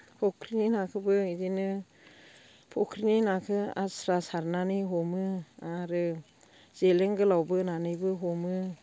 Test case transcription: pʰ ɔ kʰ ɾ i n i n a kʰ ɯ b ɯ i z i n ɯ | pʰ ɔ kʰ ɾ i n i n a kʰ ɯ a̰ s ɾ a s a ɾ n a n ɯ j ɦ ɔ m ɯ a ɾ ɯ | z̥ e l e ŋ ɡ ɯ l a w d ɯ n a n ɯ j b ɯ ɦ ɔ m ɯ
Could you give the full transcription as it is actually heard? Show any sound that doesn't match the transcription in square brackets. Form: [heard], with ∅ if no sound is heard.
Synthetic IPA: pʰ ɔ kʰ ɾ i n i n a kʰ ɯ b ɯ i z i n ɯ | pʰ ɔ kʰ ɾ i n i n a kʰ ɯ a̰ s ɾ a s a ɾ n a n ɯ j ɦ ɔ m ɯ a ɾ ɯ | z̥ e l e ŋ ɡ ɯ l a w [b] ɯ n a n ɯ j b ɯ ɦ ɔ m ɯ